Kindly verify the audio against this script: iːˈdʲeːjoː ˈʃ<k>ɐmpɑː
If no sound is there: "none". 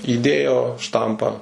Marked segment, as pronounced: t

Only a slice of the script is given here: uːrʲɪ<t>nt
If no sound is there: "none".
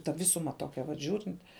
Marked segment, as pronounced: none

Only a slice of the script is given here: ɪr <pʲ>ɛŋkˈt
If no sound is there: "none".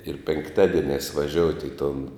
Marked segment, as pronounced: pʲ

